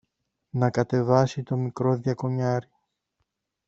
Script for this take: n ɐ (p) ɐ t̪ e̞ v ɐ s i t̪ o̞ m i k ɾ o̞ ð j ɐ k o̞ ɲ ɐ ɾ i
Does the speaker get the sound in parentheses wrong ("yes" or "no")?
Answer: yes